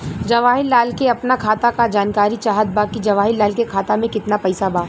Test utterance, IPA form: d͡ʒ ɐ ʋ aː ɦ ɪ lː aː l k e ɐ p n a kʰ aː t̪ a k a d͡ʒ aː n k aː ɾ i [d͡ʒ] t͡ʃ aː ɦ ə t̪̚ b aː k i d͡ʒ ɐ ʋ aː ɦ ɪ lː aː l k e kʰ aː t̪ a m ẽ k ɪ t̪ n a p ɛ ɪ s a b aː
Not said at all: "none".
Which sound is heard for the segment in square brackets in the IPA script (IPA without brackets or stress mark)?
none